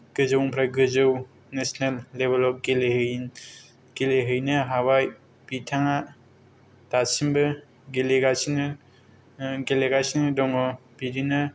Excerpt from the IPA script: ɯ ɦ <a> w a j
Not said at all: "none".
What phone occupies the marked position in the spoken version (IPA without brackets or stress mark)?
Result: a